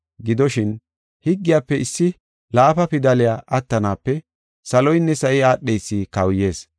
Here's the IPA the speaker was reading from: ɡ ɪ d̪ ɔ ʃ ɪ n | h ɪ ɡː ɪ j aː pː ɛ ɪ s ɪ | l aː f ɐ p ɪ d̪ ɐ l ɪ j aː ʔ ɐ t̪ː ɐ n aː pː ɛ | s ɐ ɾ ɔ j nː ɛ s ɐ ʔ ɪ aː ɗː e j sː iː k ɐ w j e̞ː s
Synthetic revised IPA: ɡ ɪ d̪ ɔ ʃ ɪ n | h ɪ ɡː ɪ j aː pː ɛ ɪ sː ɪ | l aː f ɐ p ɪ d̪ ɐ l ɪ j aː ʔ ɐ t̪ː ɐ n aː pː ɛ | s ɐ l ɔ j nː ɛ s ɐ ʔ ɪ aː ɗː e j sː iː k ɐ w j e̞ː s